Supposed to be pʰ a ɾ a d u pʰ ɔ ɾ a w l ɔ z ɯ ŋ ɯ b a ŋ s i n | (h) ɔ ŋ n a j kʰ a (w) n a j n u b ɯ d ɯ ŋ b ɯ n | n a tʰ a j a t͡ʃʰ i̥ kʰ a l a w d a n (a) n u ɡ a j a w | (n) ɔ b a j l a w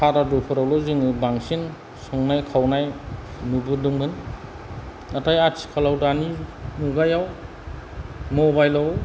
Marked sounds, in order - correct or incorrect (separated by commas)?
incorrect, correct, incorrect, incorrect